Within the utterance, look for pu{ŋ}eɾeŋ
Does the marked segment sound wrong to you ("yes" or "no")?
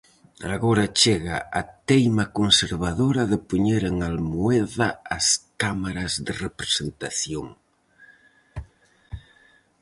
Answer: yes